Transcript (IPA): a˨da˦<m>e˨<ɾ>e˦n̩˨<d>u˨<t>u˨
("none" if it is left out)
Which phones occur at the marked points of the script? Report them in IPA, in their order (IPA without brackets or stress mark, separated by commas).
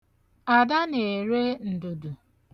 n, ɾ, d, d